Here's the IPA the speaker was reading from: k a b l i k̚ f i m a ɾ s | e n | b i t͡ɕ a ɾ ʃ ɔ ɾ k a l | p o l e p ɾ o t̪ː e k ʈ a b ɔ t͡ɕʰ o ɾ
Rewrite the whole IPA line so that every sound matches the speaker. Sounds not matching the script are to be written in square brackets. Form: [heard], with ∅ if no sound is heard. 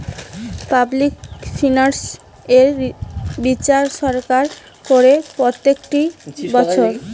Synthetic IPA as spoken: [p] a b l i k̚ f i [n] a ɾ s | e [∅] | b i t͡ɕ a ɾ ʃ ɔ ɾ k a [ɾ] | [k] o [ɾ] e p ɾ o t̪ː e k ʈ [i] b ɔ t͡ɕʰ o ɾ